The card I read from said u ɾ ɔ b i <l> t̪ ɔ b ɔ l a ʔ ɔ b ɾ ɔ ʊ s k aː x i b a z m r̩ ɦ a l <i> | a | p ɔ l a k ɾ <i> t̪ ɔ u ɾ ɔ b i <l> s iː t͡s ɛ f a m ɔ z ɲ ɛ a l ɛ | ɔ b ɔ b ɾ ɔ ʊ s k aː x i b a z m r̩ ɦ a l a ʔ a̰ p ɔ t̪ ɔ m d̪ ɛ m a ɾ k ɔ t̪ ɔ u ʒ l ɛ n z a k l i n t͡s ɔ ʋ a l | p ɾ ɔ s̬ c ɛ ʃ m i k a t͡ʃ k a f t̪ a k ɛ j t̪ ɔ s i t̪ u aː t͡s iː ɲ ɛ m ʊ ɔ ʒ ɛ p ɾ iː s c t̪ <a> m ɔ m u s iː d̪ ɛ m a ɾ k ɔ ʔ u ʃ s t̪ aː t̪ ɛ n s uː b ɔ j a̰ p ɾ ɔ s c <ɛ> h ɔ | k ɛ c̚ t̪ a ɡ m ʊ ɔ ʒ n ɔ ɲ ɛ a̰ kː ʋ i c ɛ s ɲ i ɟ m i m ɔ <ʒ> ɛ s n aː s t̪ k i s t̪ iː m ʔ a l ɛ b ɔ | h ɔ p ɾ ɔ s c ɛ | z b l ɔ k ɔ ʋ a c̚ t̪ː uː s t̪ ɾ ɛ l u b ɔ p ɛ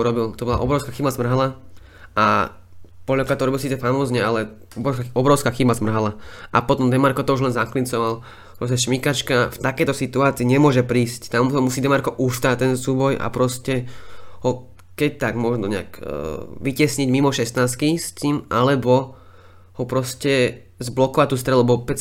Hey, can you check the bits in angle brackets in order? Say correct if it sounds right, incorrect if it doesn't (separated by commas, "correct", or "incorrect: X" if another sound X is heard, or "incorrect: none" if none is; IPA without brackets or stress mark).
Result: correct, incorrect: a, incorrect: a, correct, correct, correct, incorrect: ʃ